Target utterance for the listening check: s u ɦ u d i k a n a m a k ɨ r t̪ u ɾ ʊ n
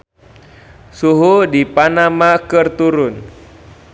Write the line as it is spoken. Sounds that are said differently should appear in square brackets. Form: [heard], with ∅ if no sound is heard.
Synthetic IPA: s u ɦ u d i [p] a n a m a k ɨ r t̪ u ɾ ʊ n